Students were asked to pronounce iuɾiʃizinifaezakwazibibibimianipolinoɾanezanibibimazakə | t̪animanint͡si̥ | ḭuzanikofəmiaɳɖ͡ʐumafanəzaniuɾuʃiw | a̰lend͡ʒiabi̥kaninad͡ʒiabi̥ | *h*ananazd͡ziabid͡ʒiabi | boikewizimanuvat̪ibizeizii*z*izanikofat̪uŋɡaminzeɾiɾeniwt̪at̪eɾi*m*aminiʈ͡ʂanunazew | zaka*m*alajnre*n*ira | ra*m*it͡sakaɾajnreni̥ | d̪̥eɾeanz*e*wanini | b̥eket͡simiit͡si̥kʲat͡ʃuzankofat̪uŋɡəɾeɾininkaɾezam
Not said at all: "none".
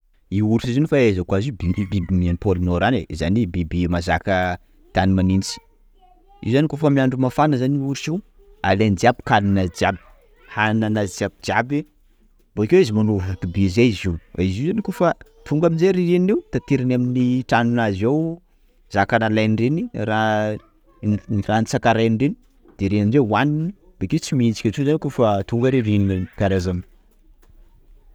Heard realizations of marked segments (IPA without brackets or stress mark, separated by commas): h, z, n, n, n, n, e